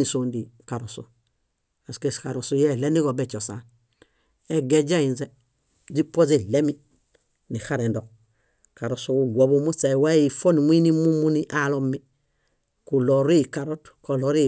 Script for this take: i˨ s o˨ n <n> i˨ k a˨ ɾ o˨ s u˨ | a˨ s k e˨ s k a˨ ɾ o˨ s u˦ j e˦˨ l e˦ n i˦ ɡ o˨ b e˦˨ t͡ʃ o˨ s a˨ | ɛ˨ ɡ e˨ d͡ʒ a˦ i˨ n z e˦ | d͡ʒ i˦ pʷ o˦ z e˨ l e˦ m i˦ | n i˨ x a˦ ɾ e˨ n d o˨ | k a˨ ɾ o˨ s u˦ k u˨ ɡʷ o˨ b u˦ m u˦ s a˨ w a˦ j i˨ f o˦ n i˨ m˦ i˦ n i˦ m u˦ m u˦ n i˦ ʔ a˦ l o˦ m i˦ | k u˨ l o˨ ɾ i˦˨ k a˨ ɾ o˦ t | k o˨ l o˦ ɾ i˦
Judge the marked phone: incorrect: d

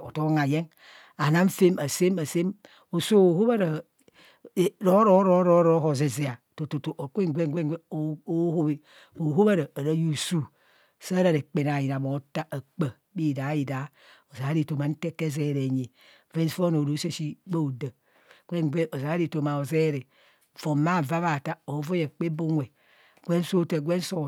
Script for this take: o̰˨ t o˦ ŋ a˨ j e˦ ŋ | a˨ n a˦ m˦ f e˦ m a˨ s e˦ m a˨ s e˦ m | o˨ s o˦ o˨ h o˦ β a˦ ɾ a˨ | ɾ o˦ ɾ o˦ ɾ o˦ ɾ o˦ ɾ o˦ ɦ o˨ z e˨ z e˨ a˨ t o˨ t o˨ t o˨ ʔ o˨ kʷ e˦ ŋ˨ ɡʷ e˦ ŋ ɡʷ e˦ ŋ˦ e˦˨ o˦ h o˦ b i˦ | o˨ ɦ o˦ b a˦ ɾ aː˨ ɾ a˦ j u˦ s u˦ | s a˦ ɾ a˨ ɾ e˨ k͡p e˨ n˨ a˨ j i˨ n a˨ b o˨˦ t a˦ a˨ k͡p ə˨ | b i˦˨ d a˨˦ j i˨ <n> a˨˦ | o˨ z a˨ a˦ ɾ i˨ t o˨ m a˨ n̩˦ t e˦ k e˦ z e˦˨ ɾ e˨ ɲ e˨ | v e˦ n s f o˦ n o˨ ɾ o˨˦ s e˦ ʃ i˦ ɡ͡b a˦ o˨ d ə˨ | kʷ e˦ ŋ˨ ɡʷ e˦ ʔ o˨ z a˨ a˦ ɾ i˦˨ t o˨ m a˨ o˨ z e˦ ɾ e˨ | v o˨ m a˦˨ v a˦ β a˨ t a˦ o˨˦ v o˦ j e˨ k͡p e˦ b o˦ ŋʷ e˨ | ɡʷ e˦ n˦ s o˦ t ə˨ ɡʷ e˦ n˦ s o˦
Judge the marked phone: incorrect: d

